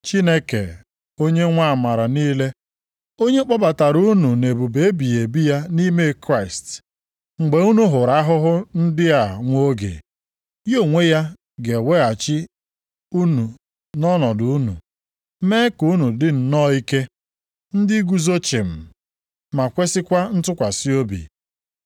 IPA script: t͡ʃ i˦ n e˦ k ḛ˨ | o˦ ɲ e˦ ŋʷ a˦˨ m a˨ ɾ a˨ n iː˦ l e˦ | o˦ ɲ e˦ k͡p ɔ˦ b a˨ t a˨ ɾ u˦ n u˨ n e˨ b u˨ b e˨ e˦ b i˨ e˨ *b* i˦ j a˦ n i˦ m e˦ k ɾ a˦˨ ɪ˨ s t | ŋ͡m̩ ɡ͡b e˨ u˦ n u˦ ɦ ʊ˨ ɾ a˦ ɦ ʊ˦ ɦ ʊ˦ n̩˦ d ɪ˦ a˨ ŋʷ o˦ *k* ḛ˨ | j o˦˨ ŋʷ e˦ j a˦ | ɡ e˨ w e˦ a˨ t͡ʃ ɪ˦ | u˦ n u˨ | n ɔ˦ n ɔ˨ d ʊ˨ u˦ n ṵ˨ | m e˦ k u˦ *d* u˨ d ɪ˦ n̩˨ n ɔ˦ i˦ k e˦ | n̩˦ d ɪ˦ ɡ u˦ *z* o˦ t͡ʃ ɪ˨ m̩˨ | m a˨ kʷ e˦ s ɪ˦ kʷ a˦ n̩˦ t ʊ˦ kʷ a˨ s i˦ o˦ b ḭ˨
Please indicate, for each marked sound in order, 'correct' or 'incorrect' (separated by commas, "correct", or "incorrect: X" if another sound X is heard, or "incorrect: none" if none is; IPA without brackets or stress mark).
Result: correct, incorrect: ɡ, incorrect: n, correct